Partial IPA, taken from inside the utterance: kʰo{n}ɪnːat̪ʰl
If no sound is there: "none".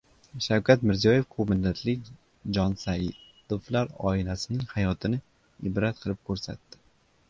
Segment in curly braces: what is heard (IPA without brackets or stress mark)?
m